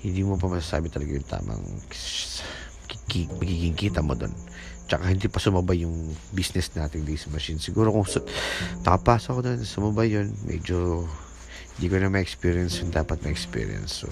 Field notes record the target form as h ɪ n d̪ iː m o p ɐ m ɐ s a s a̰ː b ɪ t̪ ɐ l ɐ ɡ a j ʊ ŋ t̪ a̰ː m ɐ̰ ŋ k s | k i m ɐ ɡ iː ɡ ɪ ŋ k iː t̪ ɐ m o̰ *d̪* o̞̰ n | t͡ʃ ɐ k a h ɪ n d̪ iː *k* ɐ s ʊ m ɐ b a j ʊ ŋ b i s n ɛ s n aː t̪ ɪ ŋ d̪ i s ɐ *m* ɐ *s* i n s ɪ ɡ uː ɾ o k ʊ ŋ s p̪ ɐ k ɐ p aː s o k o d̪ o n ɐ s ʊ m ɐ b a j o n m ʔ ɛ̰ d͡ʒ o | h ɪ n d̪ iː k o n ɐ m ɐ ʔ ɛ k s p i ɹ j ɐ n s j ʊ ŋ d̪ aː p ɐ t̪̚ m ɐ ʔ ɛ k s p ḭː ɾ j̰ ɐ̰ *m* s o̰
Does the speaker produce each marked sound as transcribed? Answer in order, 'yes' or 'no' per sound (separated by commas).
yes, no, yes, no, no